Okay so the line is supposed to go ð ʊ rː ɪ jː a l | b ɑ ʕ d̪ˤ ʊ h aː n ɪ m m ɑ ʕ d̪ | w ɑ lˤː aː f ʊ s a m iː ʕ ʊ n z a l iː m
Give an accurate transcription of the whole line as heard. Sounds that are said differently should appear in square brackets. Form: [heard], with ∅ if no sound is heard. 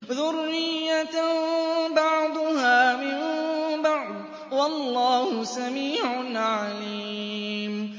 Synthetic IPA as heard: ð ʊ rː ɪ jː a [∅] | b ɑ ʕ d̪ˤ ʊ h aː [m] ɪ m [b] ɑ ʕ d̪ | w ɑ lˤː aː [h] ʊ s a m iː ʕ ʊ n [ʕ] a l iː m